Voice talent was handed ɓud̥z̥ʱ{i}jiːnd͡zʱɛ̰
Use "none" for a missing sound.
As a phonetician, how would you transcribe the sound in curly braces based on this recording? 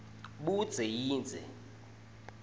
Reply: ɛ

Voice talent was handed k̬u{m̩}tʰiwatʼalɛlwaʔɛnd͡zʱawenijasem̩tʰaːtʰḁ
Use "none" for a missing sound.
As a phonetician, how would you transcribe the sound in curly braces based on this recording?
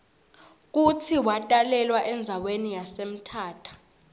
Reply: none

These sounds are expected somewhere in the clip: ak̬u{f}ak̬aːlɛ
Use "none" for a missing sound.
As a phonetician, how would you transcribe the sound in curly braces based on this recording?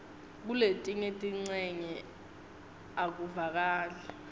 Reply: v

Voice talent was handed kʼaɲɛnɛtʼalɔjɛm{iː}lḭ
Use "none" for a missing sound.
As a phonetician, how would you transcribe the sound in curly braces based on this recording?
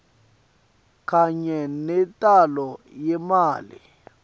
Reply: aː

